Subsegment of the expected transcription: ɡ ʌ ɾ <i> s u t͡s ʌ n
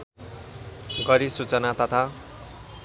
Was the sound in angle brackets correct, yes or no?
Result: yes